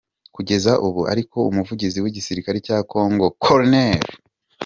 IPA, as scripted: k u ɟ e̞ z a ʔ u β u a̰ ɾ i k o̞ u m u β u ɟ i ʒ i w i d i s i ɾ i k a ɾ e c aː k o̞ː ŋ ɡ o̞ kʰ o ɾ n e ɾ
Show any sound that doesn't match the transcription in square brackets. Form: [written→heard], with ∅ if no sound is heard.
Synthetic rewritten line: k u ɟ e̞ z a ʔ u β u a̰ ɾ i k o̞ u m u [β→v] u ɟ i [ʒ→z] i w i [d→ɟ] i s i ɾ i k a ɾ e c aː k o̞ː ŋ ɡ o̞ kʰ o ɾ n e ɾ